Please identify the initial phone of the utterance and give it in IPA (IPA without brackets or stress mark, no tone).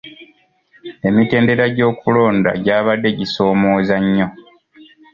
e̞